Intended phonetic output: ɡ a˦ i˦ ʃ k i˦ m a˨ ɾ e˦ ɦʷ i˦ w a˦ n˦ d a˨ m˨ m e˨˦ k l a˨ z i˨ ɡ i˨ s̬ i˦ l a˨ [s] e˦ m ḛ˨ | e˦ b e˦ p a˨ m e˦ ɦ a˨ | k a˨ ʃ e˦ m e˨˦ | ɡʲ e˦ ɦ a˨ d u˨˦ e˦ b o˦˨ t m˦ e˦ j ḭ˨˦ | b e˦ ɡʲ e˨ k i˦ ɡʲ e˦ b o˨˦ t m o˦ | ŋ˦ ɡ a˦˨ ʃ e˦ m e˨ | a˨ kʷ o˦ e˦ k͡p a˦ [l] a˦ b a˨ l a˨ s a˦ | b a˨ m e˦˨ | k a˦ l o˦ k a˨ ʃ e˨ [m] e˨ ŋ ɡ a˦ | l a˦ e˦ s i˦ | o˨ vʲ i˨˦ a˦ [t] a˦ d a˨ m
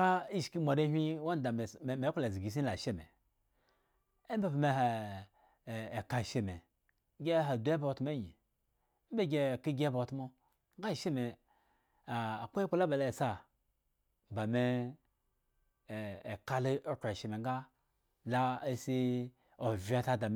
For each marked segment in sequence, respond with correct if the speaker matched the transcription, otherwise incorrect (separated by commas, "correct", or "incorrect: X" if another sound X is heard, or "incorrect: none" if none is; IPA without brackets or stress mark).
incorrect: ʃ, correct, correct, correct